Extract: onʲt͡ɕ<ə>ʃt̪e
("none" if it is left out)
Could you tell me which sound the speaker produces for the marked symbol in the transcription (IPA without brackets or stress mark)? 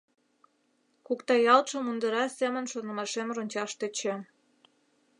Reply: ɑ